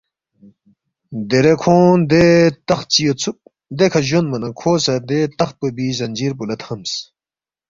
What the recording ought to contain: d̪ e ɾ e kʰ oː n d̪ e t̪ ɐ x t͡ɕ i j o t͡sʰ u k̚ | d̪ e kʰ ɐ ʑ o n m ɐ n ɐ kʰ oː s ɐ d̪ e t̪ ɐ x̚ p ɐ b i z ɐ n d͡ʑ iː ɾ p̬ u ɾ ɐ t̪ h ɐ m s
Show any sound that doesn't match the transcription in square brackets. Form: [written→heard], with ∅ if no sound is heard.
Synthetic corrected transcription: d̪ e ɾ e kʰ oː n d̪ e t̪ ɐ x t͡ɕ i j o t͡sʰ u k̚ | d̪ e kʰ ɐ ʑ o n m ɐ n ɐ kʰ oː s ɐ d̪ e t̪ ɐ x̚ p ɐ b i z ɐ n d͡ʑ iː ɾ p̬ u [ɾ→l] ɐ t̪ h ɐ m s

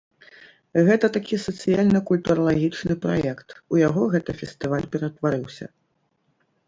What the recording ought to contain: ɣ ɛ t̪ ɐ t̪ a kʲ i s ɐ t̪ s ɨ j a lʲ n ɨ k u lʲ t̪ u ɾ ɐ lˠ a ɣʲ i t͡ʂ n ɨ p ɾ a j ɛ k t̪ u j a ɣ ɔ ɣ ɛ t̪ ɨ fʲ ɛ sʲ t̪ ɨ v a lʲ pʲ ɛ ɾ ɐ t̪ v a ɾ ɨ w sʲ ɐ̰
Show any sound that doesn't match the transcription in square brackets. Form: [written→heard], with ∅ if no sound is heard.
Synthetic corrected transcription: ɣ ɛ t̪ ɐ t̪ a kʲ i s ɐ t̪ s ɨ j a lʲ n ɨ k u lʲ t̪ u ɾ ɐ lˠ a ɣʲ i t͡ʂ n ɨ p ɾ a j ɛ k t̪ u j a ɣ ɔ ɣ ɛ t̪ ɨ fʲ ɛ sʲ t̪ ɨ v a lʲ pʲ ɛ ɾ ɐ t̪ v a ɾ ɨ w sʲ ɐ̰

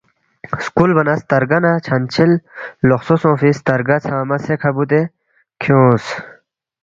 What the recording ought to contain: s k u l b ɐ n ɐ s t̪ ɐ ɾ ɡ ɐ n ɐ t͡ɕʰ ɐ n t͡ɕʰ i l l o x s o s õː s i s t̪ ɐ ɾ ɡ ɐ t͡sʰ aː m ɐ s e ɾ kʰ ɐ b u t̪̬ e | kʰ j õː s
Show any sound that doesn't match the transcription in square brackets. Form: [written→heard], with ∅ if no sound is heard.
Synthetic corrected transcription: s k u l b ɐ n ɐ s t̪ ɐ ɾ ɡ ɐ n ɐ t͡ɕʰ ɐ n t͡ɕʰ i l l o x s o s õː [s→f] i s t̪ ɐ ɾ ɡ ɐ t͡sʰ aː m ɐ s e [ɾ→∅] kʰ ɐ b u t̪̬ e | kʰ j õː s

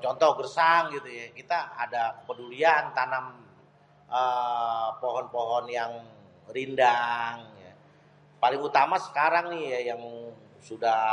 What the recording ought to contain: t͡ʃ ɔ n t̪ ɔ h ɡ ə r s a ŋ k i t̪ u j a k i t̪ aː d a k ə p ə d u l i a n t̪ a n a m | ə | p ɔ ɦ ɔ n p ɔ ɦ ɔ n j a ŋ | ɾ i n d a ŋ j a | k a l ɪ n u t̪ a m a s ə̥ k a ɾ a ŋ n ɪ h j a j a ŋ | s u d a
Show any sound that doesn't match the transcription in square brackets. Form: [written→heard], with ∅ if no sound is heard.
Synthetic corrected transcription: t͡ʃ ɔ n t̪ ɔ h ɡ ə r s a ŋ [k→ɡ] i t̪ u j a k i t̪ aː d a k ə p ə d u l i a n t̪ a n a m | ə | p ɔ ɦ ɔ n p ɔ ɦ ɔ n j a ŋ | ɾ i n d a ŋ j a | [k→p] a l ɪ [n→ŋ] u t̪ a m a s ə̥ k a ɾ a ŋ n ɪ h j a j a ŋ | s u d a

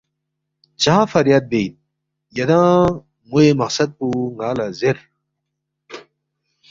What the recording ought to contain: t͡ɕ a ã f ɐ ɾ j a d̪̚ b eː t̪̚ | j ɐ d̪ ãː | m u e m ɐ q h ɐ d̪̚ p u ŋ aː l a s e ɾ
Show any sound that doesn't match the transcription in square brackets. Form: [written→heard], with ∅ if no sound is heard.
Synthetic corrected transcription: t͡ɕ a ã f ɐ ɾ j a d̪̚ b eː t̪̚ | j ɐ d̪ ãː | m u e m ɐ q [h→s] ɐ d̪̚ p u ŋ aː l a [s→z] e ɾ

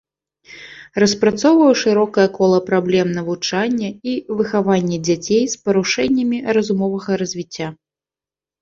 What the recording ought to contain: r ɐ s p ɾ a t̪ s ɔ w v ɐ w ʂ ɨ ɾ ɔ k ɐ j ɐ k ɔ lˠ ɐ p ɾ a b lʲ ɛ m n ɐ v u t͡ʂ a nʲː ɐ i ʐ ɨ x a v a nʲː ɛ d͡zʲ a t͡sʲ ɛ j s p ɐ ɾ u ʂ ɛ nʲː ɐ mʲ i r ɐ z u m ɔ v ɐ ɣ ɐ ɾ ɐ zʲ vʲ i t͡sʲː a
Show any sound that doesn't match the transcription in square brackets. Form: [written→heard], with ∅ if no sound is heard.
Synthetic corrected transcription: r ɐ s p ɾ a t̪ s ɔ w v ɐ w ʂ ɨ ɾ ɔ k ɐ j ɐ k ɔ lˠ ɐ p ɾ a b lʲ ɛ m n ɐ v u t͡ʂ a nʲː ɐ i [ʐ→v] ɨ x a v a nʲː ɛ d͡zʲ a t͡sʲ [ɛ→e] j s p ɐ ɾ u ʂ ɛ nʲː ɐ mʲ i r ɐ z u m ɔ v ɐ ɣ ɐ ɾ ɐ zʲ vʲ i t͡sʲː a

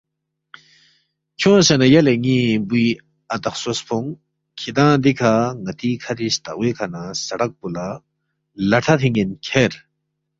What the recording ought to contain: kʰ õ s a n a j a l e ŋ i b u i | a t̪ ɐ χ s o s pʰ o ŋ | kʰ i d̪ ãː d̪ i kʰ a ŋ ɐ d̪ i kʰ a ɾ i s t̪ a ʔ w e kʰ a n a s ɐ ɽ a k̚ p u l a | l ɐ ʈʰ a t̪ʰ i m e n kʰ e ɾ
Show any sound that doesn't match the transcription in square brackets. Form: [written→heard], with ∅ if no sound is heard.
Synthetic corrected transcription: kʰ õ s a n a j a l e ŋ i b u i | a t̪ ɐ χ s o s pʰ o ŋ | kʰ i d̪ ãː d̪ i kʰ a ŋ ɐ [d̪→t̪] i kʰ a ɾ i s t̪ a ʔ w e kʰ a n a s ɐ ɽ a k̚ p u l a | l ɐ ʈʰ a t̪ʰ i [m→ŋ] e n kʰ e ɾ

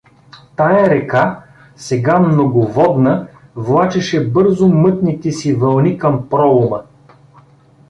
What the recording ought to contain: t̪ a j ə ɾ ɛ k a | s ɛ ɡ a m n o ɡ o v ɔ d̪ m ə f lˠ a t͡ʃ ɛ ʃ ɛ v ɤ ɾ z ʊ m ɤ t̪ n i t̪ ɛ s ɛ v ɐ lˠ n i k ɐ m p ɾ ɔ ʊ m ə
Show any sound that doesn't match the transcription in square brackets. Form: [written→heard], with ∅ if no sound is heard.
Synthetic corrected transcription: t̪ a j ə ɾ ɛ k a | s ɛ ɡ a m n o ɡ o v ɔ d̪ [m→n] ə [f→v] lˠ a t͡ʃ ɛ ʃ ɛ [v→b] ɤ ɾ z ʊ m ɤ t̪ n i t̪ ɛ s [ɛ→i] v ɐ lˠ n i k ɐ m p ɾ ɔ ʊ m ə

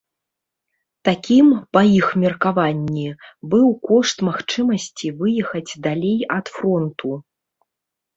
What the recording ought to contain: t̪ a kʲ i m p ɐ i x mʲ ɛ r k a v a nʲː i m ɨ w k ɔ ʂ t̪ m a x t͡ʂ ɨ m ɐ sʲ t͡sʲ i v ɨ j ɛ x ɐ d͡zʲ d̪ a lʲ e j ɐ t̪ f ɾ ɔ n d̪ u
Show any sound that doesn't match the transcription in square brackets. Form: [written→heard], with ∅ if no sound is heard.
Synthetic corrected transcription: t̪ a kʲ i m p ɐ i x mʲ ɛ r k a v a nʲː i [m→b] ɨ w k ɔ ʂ t̪ m a x t͡ʂ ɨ m ɐ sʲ t͡sʲ i v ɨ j ɛ x ɐ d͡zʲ d̪ a lʲ e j ɐ t̪ f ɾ ɔ n [d̪→t̪] u

